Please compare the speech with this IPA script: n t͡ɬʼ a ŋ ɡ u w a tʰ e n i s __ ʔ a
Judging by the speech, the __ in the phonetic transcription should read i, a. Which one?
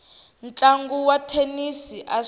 i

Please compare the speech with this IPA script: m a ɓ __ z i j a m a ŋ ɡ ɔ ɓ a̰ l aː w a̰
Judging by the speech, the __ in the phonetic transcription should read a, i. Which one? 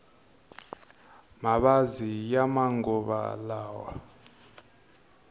a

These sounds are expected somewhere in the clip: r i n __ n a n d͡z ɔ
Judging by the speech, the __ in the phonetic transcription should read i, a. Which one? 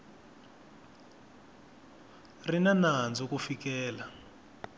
a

